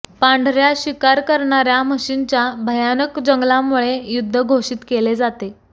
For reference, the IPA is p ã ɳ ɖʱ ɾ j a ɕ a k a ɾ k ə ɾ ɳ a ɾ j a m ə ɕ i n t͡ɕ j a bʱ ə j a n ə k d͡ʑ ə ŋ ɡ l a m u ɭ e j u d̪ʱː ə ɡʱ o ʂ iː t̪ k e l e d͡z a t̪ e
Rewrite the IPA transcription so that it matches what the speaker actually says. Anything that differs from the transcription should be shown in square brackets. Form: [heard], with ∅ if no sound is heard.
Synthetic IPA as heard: p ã ɳ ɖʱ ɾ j a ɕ [i] k a ɾ k ə ɾ ɳ a ɾ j a m ə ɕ i n t͡ɕ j a bʱ ə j a n ə k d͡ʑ ə ŋ ɡ l a m u ɭ e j u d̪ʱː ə ɡʱ o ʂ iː t̪ k e l e d͡z a t̪ e